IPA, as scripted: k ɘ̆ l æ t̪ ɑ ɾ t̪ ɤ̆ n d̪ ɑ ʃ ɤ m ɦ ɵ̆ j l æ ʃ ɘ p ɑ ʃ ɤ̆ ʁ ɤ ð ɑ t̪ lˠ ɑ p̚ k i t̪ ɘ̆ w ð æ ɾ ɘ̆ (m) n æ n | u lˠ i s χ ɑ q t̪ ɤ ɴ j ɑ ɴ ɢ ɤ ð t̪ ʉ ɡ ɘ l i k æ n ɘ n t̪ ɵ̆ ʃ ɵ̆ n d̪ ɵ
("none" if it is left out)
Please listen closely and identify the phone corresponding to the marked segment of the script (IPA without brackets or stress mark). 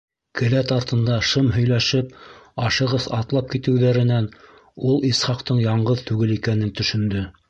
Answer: none